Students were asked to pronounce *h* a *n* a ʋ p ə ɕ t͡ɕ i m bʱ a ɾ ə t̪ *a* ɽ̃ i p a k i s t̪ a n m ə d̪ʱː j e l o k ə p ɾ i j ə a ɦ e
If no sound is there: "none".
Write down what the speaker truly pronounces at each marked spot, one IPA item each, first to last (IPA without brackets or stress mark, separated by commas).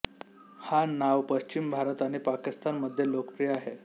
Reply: h, n, a